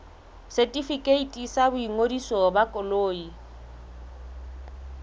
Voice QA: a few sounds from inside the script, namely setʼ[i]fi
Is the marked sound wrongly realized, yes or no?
no